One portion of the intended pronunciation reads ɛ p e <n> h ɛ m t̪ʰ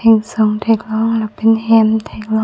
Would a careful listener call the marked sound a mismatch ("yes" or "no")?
no